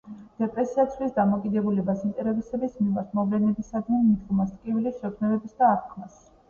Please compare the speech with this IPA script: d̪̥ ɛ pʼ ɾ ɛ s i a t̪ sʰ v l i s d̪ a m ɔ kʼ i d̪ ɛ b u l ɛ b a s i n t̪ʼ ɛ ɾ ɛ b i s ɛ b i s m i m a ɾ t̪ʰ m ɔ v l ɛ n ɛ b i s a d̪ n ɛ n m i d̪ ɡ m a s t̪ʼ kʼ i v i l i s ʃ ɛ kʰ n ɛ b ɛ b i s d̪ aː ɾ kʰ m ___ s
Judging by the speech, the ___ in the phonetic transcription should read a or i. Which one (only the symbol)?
a